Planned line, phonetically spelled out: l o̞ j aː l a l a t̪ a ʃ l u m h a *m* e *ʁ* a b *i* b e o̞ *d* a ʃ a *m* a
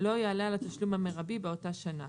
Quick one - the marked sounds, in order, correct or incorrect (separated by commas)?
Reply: correct, correct, correct, incorrect, incorrect